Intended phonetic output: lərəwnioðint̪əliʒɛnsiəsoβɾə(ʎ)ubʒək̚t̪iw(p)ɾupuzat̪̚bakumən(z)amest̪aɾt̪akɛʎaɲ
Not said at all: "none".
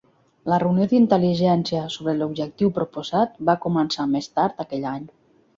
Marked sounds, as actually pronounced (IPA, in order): l, p, s

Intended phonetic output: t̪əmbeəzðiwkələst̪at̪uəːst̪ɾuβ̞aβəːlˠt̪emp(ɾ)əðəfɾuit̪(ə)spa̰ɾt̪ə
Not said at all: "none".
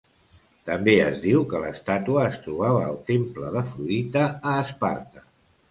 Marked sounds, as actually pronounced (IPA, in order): l, əː

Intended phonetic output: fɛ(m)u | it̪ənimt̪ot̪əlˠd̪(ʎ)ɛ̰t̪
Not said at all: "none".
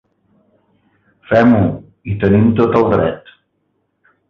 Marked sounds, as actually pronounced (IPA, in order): m, ɾ

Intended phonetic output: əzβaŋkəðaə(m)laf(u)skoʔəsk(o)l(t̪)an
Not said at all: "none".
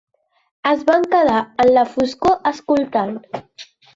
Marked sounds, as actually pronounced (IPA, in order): n, u, u, t̪

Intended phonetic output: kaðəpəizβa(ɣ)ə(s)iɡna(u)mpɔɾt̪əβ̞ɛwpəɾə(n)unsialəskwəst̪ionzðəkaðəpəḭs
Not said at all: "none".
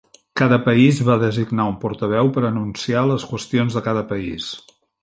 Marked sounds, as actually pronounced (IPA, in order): ð, z, u, n

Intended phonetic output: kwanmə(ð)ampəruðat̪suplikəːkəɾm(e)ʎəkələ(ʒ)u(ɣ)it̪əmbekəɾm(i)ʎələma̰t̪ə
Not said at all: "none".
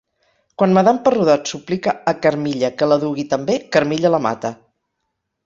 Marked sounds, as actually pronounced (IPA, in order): ð, i, ð, ɣ, i

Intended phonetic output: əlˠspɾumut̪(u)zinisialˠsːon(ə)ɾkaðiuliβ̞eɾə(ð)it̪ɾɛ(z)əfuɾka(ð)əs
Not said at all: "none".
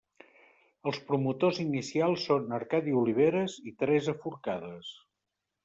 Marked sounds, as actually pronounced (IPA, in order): o, ə, z, z, ð

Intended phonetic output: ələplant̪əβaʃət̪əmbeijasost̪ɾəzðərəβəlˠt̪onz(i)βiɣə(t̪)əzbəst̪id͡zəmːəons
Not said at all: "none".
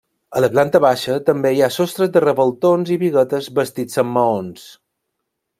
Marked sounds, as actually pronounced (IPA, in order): i, t̪

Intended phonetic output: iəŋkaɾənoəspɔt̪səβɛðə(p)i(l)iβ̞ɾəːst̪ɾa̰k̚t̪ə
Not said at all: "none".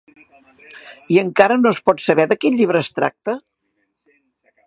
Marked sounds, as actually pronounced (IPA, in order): k, ʎ

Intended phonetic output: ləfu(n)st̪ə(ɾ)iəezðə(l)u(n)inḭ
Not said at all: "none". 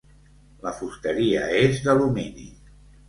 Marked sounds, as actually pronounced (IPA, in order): none, ɾ, l, m

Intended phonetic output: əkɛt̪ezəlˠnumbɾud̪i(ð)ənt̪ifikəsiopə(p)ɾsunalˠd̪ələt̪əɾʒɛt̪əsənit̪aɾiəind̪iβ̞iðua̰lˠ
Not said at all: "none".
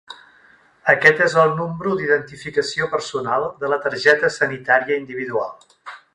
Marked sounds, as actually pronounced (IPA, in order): ð, none

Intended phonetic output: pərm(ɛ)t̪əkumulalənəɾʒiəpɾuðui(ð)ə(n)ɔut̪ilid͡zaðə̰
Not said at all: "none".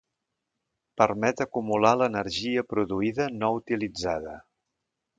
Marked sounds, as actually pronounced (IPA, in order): ɛ, ð, n

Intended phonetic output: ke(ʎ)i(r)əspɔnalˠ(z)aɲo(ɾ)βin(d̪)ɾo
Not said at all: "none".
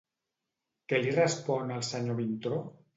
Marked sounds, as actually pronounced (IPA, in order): l, r, s, none, t̪

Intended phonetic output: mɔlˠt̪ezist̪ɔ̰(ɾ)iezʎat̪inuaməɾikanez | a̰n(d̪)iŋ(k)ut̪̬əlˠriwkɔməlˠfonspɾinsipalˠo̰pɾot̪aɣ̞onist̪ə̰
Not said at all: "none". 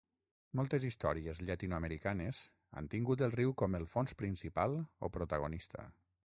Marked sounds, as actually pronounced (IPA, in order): ɾ, t̪, ɡ

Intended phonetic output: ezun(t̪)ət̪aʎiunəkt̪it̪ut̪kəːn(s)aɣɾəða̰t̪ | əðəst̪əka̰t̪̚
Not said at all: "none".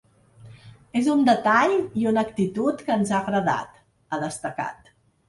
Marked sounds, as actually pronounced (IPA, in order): d̪, z

